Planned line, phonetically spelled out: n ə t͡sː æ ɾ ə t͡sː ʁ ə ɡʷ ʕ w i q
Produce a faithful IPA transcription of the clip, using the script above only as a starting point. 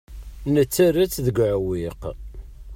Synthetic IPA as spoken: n ə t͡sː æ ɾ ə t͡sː ð ə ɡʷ ʕ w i q